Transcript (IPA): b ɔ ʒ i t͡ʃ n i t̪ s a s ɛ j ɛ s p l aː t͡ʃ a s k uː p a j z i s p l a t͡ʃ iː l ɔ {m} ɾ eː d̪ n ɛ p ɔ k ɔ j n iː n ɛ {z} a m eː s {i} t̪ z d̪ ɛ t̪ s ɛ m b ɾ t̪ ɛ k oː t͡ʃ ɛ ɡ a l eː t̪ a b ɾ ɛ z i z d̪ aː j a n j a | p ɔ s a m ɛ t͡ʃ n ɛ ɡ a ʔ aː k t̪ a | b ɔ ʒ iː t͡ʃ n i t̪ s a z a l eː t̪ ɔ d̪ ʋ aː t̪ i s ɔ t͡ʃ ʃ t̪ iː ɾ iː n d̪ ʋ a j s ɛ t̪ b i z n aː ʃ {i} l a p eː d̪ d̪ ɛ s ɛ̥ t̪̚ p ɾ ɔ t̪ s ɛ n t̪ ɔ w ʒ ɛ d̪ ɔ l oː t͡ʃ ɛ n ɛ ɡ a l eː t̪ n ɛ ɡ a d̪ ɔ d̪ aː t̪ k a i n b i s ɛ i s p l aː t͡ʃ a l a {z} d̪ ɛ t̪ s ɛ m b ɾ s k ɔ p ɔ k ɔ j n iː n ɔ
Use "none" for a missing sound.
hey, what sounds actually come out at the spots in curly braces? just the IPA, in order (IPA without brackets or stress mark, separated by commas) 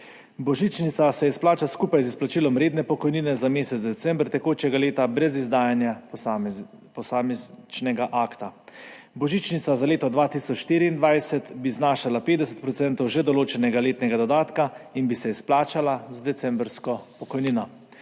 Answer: m, z, ɛ, a, z